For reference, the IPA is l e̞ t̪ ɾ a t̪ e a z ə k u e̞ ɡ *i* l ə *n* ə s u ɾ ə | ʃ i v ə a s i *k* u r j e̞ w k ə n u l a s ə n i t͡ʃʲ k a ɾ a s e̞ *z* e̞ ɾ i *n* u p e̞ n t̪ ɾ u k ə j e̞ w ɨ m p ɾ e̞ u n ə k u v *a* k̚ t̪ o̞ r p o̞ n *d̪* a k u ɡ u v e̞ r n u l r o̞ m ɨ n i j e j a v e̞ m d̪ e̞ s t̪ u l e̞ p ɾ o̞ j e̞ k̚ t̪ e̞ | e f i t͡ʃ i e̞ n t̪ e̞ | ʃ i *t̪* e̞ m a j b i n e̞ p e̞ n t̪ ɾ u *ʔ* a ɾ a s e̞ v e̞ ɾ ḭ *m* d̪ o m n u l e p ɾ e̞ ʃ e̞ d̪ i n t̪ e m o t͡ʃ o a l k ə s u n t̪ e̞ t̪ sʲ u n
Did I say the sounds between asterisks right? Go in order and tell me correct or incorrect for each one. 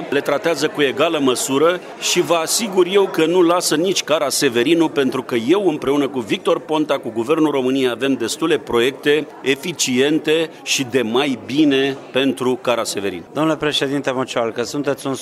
incorrect: a, incorrect: m, incorrect: ɡ, incorrect: v, correct, incorrect: i, incorrect: t̪, incorrect: d̪, incorrect: k, incorrect: n

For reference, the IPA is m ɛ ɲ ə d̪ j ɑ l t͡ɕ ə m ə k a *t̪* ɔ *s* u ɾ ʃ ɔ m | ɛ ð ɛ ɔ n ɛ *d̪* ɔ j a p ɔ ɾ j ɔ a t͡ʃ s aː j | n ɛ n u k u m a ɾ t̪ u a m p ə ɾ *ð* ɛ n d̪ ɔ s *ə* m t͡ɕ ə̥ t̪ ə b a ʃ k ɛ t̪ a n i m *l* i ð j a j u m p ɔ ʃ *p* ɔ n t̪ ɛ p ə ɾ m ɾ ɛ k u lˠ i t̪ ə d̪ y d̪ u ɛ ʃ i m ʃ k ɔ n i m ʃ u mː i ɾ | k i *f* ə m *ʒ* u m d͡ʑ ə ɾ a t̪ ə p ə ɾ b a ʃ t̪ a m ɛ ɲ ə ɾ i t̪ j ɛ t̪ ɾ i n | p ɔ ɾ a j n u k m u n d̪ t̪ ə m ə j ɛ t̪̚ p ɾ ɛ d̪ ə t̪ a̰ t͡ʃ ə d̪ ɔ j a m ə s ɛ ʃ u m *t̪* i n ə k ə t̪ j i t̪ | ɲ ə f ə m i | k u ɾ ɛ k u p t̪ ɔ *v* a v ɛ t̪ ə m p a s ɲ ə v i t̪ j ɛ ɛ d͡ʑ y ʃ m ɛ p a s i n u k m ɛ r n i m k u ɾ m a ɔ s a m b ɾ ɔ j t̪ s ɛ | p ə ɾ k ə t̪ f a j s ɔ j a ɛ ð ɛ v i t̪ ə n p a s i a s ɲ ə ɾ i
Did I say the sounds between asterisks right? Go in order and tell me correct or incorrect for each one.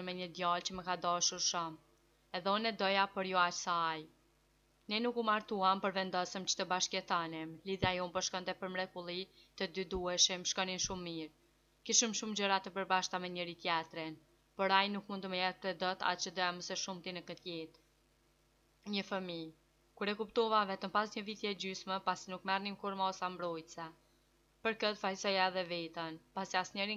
incorrect: d̪, incorrect: ʃ, correct, incorrect: v, correct, correct, incorrect: k, incorrect: ʃ, incorrect: ʃ, correct, correct

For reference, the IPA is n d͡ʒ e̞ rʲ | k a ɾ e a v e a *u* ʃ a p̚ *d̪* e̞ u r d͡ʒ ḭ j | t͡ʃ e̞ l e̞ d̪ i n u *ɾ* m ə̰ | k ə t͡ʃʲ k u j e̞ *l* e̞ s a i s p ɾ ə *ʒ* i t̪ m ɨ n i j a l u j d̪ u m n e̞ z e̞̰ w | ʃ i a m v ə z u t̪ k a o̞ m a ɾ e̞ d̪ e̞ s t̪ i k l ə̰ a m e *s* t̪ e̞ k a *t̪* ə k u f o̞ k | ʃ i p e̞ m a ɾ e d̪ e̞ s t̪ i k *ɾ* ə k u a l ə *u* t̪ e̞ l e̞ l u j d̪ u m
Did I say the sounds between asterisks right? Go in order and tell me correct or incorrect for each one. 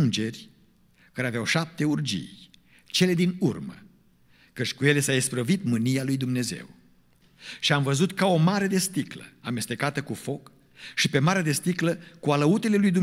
incorrect: w, incorrect: t̪, incorrect: r, correct, incorrect: v, correct, correct, incorrect: l, correct

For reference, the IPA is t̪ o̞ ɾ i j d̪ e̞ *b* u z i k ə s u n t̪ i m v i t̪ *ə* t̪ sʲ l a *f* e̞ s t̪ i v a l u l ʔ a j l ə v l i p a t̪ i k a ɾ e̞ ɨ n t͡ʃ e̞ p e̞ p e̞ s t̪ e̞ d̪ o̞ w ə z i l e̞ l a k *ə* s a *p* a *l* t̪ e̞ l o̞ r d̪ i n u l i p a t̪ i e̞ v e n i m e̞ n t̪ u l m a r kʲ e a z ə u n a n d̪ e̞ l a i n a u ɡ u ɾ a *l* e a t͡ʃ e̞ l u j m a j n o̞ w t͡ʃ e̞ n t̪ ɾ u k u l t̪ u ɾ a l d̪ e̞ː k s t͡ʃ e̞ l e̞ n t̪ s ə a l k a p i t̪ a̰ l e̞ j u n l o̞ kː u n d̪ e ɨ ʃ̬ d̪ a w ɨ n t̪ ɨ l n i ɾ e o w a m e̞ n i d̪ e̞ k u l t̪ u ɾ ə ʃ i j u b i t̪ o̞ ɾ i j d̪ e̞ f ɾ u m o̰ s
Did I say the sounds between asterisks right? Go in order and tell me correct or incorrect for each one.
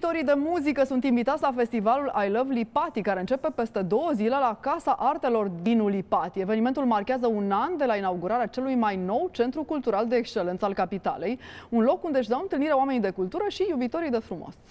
incorrect: m, incorrect: a, correct, incorrect: a, incorrect: ʔ, incorrect: r, incorrect: ɾ

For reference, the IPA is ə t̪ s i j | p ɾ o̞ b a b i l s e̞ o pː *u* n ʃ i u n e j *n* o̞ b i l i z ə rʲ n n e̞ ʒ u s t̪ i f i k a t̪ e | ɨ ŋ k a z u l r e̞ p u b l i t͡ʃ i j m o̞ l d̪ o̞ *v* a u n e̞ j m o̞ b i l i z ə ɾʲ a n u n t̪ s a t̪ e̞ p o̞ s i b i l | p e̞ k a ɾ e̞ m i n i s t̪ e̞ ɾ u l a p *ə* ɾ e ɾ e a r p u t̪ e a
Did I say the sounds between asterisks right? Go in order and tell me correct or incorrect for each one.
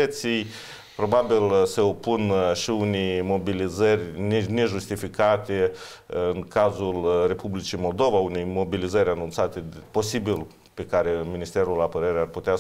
correct, incorrect: m, correct, correct

